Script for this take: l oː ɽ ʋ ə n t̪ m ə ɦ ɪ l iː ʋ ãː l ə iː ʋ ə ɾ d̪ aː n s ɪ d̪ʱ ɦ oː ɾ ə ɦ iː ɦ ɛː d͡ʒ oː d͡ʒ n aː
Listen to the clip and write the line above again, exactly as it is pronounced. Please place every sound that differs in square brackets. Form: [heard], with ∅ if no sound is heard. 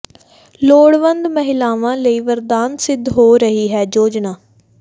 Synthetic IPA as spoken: l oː ɽ ʋ ə n [d̪] m ə ɦ ɪ l [aː] ʋ ãː l ə iː ʋ ə ɾ d̪ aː n s ɪ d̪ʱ ɦ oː ɾ ə ɦ iː ɦ ɛː d͡ʒ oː d͡ʒ n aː